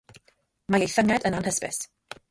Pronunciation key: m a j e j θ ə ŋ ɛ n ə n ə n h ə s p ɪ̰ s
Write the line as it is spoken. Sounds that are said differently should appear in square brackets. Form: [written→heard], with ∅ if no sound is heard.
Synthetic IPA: m a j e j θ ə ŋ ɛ [n→d] ə n [ə→a] n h ə s p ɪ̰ s